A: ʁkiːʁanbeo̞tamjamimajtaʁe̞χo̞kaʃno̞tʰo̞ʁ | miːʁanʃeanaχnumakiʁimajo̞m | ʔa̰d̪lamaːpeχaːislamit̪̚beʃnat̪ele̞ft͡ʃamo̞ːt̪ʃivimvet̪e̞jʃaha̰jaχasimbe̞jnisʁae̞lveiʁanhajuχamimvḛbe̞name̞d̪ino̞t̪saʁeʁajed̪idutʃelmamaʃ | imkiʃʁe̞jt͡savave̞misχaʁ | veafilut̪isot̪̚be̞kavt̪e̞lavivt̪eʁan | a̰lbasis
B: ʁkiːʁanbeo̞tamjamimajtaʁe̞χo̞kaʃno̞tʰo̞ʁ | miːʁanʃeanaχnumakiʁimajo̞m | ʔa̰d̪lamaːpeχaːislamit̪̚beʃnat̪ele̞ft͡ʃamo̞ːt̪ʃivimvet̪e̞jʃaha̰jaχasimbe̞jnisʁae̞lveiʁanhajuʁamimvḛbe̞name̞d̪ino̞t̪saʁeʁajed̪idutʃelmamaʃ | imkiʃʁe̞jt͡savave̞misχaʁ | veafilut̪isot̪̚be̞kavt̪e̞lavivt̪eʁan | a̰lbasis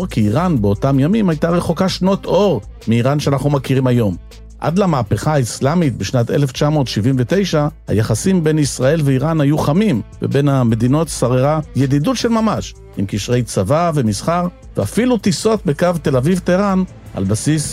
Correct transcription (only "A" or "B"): A